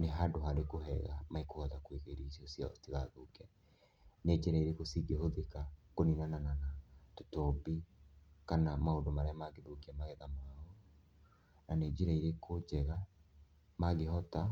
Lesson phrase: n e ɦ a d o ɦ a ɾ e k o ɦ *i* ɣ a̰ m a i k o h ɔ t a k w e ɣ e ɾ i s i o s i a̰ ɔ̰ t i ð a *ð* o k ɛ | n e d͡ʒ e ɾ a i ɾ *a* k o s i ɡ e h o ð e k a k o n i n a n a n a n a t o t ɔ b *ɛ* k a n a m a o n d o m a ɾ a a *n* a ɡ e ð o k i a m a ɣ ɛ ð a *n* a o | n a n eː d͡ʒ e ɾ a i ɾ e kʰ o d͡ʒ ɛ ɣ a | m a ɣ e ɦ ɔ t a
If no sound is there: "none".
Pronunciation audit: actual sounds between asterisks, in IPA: ɛ, ð, e, i, m, m

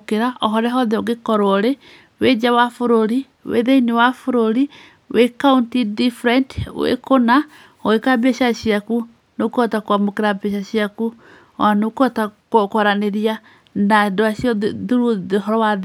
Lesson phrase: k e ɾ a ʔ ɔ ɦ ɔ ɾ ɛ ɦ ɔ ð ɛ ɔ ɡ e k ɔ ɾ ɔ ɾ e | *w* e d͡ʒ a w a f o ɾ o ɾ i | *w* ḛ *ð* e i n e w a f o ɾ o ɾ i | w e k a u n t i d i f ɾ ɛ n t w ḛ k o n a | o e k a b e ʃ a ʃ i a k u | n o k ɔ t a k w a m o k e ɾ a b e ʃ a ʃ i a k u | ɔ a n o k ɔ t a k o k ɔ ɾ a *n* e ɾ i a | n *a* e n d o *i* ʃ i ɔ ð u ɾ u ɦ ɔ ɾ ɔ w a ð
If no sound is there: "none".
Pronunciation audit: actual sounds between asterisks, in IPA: w, w, ð, n, a, a

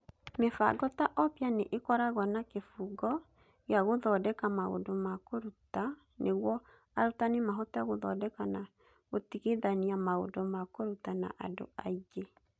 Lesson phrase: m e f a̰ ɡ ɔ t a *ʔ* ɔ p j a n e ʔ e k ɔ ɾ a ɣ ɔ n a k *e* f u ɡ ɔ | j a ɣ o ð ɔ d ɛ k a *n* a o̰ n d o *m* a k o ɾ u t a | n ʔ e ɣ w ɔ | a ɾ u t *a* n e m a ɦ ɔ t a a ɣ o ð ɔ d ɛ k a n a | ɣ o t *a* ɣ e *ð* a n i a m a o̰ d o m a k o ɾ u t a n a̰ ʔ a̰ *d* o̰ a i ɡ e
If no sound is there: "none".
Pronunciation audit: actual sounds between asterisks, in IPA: ʔ, e, m, m, a, i, ð, d

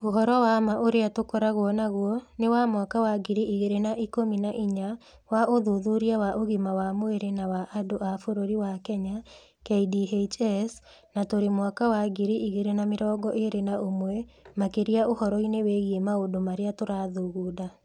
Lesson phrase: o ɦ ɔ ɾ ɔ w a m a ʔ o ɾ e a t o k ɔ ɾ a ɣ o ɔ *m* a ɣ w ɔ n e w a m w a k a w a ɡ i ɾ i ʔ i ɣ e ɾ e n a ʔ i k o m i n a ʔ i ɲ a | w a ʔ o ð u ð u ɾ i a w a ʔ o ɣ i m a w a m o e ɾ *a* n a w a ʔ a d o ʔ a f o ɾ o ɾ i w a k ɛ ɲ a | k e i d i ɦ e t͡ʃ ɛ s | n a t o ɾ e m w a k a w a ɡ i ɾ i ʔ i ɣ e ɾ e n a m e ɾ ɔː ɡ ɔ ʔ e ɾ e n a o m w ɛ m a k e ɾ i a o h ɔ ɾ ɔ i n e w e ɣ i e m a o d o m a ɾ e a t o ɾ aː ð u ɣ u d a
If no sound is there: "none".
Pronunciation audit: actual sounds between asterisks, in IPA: n, e

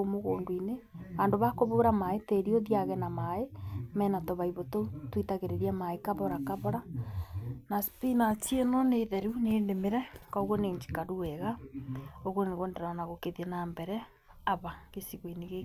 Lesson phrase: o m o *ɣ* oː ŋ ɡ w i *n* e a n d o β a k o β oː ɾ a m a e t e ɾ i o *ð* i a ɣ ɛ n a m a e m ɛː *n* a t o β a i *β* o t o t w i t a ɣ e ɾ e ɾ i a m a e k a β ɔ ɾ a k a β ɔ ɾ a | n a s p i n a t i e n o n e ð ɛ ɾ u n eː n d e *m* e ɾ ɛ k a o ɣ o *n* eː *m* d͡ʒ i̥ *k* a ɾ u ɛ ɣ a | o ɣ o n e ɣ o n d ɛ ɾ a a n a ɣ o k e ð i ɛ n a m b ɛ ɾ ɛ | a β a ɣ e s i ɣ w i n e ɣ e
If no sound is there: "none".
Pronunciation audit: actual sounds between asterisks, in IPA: ɣ, n, ð, n, β, m, n, ɲ, k

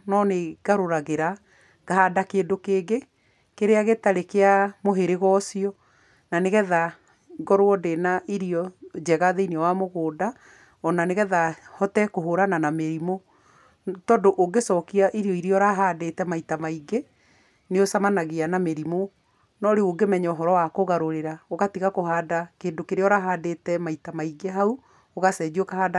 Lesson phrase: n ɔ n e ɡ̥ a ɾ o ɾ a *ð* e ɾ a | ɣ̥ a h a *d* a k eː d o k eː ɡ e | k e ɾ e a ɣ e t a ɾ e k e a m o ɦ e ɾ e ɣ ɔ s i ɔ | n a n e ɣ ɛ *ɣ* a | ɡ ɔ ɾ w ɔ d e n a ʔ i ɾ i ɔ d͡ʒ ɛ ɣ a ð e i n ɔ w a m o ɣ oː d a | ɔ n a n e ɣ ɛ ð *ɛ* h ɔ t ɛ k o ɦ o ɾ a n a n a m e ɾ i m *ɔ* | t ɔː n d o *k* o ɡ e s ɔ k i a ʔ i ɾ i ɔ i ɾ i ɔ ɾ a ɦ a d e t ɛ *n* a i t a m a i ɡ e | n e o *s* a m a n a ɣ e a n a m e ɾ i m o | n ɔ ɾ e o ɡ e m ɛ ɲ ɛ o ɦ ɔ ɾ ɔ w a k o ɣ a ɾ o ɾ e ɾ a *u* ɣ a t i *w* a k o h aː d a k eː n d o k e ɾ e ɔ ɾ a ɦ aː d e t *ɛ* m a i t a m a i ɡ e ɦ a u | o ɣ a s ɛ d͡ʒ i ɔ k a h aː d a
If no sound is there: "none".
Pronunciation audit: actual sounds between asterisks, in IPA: ɣ, d, ð, a, o, ʔ, m, s, o, ɣ, ɛ

